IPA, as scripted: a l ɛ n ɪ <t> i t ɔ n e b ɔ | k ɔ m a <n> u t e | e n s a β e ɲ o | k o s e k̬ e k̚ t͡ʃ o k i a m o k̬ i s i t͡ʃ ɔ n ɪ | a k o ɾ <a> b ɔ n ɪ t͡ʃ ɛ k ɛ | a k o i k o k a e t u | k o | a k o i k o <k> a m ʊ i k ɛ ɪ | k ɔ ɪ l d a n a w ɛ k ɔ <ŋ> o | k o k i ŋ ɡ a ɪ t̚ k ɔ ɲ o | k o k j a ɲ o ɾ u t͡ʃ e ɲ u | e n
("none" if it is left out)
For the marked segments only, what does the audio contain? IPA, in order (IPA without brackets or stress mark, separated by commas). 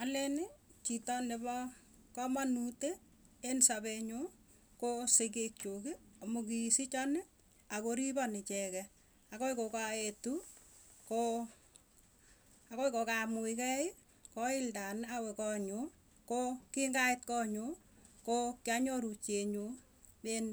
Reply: t͡ʃ, n, i, k, ɲ